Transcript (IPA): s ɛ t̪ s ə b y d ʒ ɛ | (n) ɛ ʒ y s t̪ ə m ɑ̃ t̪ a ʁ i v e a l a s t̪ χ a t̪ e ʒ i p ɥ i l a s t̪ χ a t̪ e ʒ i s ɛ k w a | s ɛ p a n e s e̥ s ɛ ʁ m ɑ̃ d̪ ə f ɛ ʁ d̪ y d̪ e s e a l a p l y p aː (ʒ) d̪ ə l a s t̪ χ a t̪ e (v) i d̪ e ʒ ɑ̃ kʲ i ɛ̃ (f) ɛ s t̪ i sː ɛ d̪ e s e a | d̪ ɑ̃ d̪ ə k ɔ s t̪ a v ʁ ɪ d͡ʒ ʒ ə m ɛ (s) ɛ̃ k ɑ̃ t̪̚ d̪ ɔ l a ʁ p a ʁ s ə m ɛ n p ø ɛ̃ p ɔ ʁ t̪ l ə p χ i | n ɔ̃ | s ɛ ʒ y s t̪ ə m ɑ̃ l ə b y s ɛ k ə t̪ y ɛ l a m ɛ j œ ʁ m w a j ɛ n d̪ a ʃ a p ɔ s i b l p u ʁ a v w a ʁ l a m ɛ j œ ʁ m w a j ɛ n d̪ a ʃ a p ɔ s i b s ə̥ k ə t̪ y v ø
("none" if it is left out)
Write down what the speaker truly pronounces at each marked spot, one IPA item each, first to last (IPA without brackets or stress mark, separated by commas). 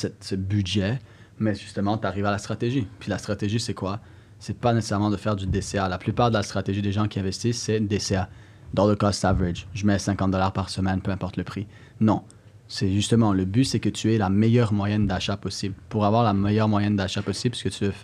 m, ʁ, ʒ, v, s